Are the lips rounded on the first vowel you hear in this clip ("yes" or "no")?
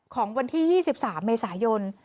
yes